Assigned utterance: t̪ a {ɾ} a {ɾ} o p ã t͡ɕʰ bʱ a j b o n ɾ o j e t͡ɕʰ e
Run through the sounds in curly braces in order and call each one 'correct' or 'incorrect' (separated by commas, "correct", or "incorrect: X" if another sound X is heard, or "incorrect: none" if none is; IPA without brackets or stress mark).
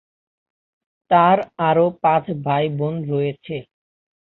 correct, correct